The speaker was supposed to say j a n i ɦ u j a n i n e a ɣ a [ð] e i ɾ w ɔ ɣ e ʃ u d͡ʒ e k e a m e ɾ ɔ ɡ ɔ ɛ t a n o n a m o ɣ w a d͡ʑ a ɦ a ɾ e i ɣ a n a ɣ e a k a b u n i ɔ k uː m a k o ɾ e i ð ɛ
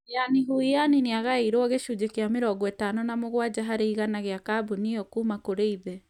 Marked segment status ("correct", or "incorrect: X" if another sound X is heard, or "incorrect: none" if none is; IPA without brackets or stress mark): incorrect: none